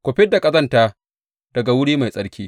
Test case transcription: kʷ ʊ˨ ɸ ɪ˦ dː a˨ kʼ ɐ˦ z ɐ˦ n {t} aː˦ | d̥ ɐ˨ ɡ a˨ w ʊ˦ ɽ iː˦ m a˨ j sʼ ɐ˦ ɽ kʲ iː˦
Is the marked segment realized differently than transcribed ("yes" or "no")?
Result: no